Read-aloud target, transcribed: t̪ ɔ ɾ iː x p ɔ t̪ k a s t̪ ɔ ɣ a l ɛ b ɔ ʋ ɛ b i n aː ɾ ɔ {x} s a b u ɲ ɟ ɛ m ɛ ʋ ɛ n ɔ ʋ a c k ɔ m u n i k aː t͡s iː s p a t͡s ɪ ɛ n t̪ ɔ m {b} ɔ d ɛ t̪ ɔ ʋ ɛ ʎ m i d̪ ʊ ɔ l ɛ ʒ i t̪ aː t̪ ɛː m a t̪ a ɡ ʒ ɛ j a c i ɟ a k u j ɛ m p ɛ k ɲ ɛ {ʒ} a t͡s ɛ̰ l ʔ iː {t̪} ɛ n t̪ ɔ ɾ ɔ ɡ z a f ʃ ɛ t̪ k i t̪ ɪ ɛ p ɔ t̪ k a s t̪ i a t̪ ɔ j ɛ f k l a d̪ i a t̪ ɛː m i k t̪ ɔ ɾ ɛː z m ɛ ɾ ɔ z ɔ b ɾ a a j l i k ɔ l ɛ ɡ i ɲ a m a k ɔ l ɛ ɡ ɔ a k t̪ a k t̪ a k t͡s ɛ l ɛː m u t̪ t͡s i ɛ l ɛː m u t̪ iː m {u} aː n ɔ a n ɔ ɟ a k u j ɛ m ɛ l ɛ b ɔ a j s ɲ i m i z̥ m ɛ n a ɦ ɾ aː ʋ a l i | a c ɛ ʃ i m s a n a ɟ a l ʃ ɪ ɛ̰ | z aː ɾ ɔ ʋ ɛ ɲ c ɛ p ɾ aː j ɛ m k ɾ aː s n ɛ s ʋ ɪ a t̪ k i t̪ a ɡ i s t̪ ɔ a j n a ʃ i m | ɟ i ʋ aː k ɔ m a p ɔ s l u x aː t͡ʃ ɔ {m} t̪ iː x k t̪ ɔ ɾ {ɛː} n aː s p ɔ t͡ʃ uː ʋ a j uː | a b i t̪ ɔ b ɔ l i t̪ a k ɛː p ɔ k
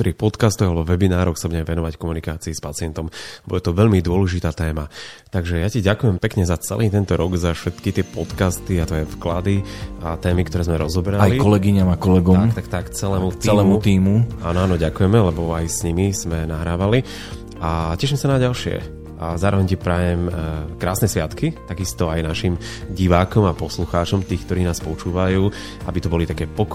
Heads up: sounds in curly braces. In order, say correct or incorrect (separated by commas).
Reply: correct, correct, incorrect, correct, correct, correct, incorrect